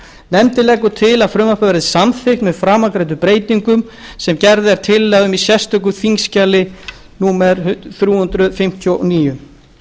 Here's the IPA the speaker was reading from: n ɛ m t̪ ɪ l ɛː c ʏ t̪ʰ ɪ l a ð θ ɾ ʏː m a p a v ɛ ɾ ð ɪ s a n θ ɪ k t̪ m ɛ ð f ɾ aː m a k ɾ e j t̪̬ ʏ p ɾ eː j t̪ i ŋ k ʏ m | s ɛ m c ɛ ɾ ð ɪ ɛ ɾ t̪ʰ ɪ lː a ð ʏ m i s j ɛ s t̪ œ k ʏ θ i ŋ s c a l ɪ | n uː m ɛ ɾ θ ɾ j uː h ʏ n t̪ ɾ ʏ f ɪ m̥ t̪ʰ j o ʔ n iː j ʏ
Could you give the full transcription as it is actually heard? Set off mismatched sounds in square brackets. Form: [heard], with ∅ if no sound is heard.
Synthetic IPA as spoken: n ɛ m t̪ ɪ l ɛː [k] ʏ t̪ʰ ɪ l a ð [f] ɾ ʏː m a p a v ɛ ɾ ð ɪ s a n θ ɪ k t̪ m ɛ ð f ɾ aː m a k ɾ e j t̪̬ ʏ p ɾ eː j t̪ i ŋ k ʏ m | s ɛ m c ɛ ɾ ð ɪ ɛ ɾ t̪ʰ ɪ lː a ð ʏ m i s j ɛ s t̪ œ k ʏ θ i ŋ s c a l ɪ | n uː m ɛ ɾ θ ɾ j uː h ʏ n t̪ ɾ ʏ f ɪ m̥ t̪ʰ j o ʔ n iː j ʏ